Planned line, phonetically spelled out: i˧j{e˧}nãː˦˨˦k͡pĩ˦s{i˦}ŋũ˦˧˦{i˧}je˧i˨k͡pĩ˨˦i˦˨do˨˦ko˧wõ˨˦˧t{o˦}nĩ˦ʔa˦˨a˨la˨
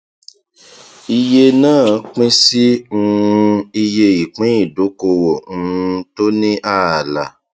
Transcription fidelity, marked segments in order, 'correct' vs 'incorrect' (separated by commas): correct, correct, correct, correct